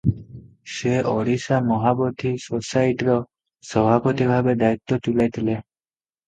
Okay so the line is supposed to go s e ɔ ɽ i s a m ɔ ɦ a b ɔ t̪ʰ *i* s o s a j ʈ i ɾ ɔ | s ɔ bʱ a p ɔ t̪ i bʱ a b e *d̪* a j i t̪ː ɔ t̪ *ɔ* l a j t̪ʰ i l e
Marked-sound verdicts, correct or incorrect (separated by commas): correct, correct, incorrect